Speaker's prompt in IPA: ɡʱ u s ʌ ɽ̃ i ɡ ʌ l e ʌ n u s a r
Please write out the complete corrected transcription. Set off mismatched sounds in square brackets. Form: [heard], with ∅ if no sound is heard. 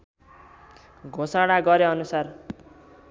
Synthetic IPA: ɡʱ [o] s [a] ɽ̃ [a] ɡ ʌ [ɾ] e ʌ n u s a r